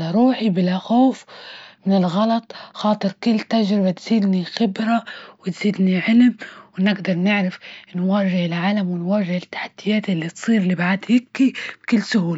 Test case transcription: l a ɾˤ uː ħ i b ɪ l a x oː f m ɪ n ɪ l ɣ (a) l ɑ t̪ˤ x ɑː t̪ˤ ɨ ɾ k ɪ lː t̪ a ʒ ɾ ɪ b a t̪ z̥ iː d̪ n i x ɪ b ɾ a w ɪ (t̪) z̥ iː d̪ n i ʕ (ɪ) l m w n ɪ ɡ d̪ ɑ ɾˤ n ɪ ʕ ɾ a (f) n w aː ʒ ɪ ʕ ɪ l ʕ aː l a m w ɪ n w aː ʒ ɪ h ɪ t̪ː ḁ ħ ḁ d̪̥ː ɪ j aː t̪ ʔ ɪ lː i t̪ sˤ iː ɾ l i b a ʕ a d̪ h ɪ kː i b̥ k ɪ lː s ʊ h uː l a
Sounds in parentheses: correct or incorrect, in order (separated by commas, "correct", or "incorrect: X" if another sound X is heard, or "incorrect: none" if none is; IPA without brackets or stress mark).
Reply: incorrect: ɑ, correct, correct, correct